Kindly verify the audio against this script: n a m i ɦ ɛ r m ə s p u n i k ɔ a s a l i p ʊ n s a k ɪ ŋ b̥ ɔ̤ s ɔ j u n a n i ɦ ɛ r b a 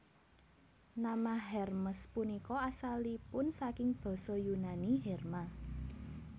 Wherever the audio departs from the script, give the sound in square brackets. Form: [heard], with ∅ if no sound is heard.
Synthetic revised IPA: n a m [a] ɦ ɛ r m ə s p u n i k ɔ a s a l i p ʊ n s a k ɪ ŋ b̥ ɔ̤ s ɔ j u n a n i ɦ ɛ r [m] a